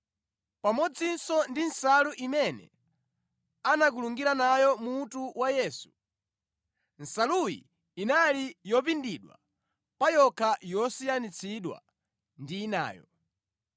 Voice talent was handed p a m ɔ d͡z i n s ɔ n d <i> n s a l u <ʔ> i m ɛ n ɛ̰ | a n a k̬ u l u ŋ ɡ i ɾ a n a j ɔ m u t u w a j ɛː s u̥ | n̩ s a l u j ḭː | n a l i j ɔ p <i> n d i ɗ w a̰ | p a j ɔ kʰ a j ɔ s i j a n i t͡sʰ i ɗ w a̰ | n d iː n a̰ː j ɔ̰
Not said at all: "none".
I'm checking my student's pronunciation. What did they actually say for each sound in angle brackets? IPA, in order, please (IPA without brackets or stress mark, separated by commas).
i, ʔ, i